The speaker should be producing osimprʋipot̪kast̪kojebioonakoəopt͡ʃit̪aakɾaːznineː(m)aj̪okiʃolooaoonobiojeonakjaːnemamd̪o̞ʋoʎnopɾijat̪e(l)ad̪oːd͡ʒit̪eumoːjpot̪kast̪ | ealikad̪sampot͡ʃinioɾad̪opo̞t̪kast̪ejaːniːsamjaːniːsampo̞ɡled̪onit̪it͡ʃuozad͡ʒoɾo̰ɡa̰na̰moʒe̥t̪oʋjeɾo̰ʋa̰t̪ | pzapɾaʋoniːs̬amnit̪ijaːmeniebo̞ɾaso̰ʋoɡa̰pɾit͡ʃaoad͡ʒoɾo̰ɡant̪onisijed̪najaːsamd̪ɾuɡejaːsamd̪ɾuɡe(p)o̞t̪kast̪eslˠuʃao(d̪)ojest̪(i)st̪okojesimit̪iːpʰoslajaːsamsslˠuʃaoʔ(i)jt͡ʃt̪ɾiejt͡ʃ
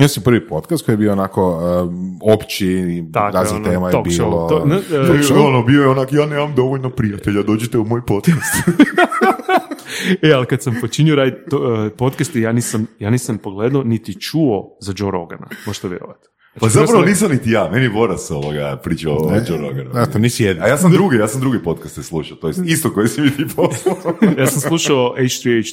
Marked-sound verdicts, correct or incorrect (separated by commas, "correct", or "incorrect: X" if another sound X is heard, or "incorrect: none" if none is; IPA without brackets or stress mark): correct, incorrect: ʎ, correct, incorrect: t̪, correct, incorrect: e